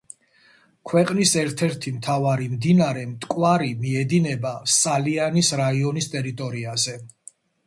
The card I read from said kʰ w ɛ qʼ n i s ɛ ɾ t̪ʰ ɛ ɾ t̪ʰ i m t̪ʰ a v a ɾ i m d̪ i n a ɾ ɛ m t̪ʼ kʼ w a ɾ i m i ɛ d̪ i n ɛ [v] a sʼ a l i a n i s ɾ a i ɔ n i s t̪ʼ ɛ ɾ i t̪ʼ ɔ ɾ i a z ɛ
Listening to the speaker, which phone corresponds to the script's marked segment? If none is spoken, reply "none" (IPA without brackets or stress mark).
b